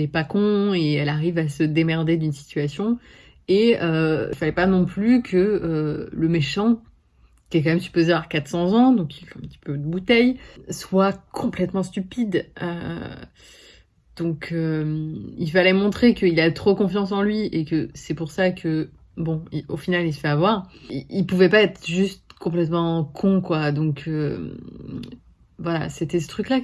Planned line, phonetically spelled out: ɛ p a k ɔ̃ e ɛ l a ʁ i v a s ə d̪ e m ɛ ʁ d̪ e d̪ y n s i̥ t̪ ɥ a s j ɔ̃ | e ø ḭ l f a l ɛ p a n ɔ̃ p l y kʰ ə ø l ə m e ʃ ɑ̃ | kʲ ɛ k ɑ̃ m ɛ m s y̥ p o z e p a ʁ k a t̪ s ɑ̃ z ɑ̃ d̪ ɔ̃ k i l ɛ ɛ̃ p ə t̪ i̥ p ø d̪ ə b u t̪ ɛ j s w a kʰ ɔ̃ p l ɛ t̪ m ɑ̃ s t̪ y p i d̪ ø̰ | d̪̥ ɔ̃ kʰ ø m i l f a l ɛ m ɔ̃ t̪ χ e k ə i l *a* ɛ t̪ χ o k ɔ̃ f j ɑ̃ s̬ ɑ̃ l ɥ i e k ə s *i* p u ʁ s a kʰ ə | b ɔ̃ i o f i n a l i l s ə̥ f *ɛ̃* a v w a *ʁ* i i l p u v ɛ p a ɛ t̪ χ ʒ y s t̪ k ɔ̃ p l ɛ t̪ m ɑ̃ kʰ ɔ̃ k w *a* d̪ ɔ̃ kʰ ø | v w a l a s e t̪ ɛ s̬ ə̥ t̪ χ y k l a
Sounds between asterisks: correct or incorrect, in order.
correct, incorrect: ɛ, incorrect: ɛ, correct, correct

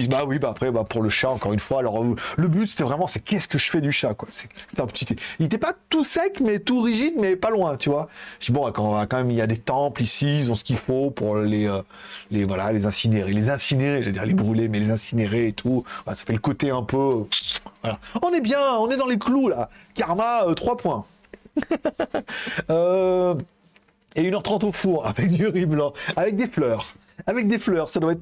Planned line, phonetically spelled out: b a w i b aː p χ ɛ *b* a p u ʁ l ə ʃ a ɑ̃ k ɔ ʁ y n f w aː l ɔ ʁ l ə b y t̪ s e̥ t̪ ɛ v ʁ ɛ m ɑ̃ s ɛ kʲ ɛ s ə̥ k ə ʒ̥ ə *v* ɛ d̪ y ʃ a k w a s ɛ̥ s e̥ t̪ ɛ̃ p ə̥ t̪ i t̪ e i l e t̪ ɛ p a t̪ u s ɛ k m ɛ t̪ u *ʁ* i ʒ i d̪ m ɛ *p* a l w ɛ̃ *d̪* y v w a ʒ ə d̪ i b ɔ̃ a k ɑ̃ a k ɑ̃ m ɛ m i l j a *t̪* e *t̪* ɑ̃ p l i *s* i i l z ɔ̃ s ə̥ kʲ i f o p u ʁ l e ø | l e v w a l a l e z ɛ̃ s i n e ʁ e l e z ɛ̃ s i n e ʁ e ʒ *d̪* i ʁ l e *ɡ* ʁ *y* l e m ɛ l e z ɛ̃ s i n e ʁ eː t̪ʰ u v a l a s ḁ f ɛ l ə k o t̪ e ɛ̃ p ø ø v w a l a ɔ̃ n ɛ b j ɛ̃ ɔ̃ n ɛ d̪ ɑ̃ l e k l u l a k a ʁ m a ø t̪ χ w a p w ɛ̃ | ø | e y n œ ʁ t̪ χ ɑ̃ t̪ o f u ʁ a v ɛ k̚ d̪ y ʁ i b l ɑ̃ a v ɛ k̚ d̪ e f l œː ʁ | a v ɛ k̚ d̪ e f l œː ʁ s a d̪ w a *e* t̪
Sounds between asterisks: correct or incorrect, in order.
correct, incorrect: f, correct, correct, incorrect: t̪, incorrect: d̪, correct, correct, correct, incorrect: b, correct, incorrect: ɛ

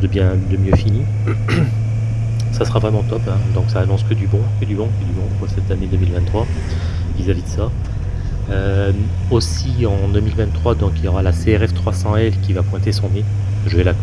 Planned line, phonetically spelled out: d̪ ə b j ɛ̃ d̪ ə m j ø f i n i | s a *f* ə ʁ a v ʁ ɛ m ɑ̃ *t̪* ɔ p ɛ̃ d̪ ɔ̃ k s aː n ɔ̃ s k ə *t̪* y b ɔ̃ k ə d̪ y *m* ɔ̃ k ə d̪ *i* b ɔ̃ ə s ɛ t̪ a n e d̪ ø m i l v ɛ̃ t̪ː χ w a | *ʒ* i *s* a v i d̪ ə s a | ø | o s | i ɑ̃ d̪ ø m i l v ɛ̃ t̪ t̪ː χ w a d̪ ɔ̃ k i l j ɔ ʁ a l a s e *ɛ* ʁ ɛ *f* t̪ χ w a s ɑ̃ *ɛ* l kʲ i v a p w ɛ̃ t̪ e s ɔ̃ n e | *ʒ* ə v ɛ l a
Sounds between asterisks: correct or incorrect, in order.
incorrect: s, correct, incorrect: d̪, incorrect: b, incorrect: y, incorrect: v, incorrect: z, correct, correct, correct, correct

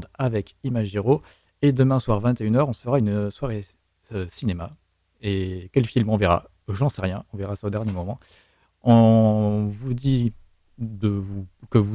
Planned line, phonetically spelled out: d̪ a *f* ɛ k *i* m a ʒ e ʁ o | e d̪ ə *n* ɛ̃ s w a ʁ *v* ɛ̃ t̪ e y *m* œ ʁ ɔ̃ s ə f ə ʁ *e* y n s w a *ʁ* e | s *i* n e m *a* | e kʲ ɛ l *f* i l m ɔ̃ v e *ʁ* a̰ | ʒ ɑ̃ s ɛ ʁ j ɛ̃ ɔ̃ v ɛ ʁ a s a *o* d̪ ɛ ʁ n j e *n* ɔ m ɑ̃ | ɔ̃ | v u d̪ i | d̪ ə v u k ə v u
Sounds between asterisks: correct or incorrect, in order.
incorrect: v, correct, incorrect: m, correct, incorrect: n, incorrect: a, correct, correct, correct, correct, correct, correct, incorrect: m

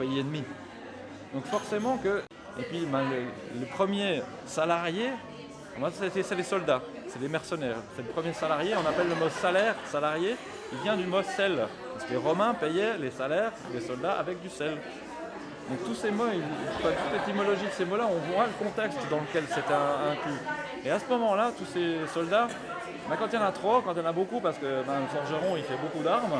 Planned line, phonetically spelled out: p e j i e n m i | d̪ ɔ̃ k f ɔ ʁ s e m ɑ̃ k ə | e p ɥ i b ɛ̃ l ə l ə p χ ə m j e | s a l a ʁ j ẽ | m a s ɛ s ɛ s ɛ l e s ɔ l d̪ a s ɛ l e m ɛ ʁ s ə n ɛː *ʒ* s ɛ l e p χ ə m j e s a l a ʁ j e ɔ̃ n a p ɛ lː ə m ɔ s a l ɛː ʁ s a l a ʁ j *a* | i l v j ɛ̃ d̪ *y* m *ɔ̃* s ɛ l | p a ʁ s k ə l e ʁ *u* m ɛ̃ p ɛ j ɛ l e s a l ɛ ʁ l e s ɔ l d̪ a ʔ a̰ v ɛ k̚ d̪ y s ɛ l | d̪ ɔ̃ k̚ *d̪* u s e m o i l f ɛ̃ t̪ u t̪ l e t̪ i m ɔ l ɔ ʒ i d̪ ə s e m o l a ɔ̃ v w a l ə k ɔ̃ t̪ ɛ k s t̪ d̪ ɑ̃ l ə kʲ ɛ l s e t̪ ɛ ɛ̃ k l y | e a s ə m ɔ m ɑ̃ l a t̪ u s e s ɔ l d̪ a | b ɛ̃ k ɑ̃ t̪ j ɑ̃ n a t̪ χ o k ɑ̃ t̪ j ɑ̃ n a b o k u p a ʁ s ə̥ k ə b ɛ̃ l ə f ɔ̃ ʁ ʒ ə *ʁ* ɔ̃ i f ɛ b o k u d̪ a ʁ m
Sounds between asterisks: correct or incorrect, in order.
incorrect: ʁ, incorrect: e, correct, incorrect: ɔ, incorrect: ɔ, incorrect: t̪, correct

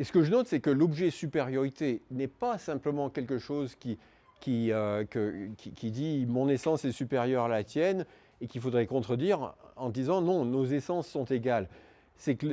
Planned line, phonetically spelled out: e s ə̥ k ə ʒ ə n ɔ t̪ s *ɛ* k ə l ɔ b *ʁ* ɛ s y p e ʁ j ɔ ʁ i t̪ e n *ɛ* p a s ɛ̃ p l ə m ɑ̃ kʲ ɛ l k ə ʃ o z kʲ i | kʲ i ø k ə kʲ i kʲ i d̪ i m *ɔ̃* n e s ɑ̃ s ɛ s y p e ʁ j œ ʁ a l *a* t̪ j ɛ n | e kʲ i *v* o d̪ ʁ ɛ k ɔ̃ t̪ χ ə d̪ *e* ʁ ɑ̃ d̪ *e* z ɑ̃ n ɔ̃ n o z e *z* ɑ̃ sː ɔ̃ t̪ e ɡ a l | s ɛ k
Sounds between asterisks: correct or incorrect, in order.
correct, incorrect: ʒ, correct, correct, correct, incorrect: f, incorrect: i, incorrect: i, incorrect: s

